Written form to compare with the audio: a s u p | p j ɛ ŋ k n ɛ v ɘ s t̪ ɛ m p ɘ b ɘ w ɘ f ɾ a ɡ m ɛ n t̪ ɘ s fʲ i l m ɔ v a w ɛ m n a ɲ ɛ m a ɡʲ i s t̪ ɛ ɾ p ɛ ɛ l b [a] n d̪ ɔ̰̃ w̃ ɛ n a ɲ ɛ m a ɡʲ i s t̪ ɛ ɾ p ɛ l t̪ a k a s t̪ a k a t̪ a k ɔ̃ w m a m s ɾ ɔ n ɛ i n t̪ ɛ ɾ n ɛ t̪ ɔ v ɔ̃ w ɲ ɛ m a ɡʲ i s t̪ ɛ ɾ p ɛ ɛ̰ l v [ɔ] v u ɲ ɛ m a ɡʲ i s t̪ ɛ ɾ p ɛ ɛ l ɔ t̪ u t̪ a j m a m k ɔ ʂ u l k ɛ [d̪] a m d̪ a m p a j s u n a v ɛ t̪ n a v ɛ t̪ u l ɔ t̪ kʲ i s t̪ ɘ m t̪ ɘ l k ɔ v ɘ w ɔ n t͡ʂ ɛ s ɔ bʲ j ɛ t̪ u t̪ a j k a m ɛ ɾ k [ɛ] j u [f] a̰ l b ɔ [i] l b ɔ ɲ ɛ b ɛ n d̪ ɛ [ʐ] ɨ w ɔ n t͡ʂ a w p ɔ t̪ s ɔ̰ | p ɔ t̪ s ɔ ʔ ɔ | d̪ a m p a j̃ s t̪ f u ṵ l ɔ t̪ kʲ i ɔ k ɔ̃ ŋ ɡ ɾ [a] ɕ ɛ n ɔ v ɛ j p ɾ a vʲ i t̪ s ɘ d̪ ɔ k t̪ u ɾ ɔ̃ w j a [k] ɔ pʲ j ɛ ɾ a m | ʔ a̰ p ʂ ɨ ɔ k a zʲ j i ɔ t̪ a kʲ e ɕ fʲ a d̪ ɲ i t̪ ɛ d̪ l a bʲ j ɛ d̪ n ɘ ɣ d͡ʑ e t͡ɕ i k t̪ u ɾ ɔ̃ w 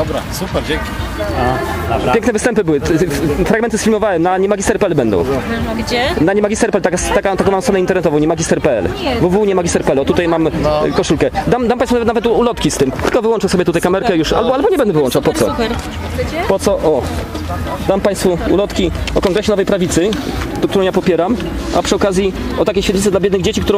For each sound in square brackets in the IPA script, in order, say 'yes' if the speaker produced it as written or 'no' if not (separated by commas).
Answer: no, no, yes, yes, no, no, no, no, no